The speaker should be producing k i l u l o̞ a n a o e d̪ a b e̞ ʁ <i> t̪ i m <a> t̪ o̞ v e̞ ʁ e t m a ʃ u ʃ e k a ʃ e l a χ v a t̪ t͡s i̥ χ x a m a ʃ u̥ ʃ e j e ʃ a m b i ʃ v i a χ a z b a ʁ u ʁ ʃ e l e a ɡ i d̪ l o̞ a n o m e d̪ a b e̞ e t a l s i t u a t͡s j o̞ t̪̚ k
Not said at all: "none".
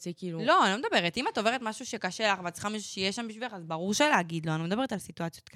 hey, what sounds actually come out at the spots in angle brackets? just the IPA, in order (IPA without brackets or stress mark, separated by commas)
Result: e, a